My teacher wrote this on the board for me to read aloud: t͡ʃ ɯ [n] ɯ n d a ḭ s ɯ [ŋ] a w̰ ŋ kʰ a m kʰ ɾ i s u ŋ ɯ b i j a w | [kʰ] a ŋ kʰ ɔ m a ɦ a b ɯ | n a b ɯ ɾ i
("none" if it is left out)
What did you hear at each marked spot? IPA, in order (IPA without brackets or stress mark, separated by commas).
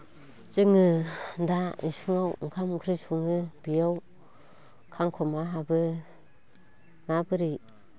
ŋ, ŋ, kʰ